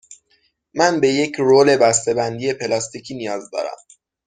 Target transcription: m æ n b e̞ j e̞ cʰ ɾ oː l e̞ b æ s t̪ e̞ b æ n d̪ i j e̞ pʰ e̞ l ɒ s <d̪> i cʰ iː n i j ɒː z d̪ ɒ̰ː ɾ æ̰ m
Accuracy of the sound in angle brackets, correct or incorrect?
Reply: incorrect